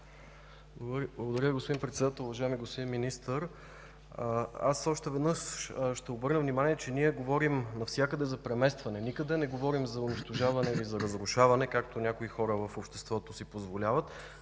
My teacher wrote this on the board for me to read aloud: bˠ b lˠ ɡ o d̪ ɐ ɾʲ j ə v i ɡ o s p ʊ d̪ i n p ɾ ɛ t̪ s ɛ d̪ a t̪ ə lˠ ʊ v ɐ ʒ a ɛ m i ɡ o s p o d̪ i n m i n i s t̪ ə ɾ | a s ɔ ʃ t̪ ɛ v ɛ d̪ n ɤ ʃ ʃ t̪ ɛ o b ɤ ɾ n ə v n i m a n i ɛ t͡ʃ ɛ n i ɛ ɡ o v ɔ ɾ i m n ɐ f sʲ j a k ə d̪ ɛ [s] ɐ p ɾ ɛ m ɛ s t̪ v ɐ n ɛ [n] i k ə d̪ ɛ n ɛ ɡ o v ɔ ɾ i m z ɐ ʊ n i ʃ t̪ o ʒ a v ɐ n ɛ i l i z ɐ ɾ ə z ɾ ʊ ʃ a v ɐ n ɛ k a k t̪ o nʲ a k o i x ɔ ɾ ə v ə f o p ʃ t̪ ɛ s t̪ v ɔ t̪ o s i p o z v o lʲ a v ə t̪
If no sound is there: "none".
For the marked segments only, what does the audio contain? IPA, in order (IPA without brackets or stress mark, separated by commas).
z, n